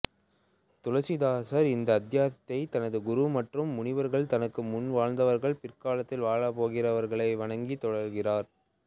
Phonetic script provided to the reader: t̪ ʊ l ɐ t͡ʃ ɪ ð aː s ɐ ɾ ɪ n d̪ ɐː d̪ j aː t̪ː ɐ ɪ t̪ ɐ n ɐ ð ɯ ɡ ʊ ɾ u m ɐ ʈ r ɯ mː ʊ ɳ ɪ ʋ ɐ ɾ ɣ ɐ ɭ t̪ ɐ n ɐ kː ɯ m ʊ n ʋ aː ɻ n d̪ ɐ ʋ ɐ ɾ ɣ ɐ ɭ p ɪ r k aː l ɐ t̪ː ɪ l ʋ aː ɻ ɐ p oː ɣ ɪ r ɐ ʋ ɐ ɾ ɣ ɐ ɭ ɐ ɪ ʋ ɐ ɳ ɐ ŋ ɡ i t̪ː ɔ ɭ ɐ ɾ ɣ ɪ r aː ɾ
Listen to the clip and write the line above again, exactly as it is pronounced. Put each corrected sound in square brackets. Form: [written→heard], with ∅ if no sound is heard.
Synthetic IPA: t̪ ʊ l ɐ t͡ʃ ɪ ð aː s ɐ ɾ ɪ n d̪ ɐː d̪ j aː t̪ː ɐ ɪ t̪ ɐ n ɐ ð ɯ ɡ ʊ ɾ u m ɐ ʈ r ɯ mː ʊ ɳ ɪ ʋ ɐ ɾ ɣ ɐ ɭ t̪ ɐ n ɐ kː ɯ m ʊ n ʋ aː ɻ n d̪ ɐ ʋ ɐ ɾ ɣ ɐ ɭ p ɪ r k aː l ɐ t̪ː ɪ l ʋ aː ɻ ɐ p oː ɣ ɪ r ɐ ʋ ɐ ɾ ɣ ɐ ɭ ɐ ɪ ʋ ɐ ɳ ɐ ŋ ɡ i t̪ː ɔ [ɭ→ɽ] ɐ ɾ ɣ ɪ r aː ɾ